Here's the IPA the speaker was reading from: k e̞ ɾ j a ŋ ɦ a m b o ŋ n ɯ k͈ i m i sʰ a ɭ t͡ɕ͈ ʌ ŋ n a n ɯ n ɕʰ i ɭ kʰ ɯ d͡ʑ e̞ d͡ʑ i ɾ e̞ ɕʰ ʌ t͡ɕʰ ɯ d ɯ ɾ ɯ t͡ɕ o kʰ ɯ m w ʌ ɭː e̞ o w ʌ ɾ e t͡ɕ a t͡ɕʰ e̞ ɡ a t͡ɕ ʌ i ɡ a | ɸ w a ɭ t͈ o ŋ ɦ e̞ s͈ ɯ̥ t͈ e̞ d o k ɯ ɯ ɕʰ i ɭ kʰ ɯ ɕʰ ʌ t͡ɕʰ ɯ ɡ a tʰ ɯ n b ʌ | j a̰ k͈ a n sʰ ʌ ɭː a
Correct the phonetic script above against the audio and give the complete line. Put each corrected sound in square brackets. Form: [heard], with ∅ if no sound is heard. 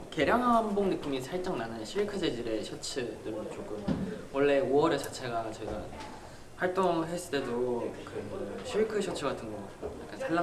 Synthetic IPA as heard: k e̞ ɾ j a ŋ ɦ a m b o ŋ n ɯ k͈ i m i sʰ a ɭ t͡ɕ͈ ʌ ŋ n a n ɯ n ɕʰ i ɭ kʰ ɯ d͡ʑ e̞ d͡ʑ i ɾ e̞ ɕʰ ʌ t͡ɕʰ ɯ d ɯ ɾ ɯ t͡ɕ o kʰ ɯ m w ʌ ɭː e̞ o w ʌ ɾ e t͡ɕ a t͡ɕʰ e̞ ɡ a t͡ɕ ʌ i ɡ a | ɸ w a ɭ t͈ o ŋ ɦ e̞ s͈ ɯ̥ t͈ e̞ d o k ɯ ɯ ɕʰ i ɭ kʰ ɯ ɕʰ ʌ t͡ɕʰ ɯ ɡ a tʰ ɯ n [ɡ] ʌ | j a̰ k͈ a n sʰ [a] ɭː a